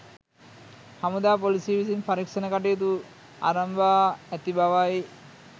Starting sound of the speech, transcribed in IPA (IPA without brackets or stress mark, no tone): h